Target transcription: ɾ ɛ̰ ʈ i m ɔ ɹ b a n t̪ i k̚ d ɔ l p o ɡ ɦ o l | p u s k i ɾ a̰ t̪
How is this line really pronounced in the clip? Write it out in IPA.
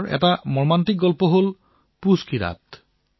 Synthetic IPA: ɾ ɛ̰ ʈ a m ɔ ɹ m a n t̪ i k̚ ɡ ɔ l p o ɦ o l | p u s k i ɾ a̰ t̪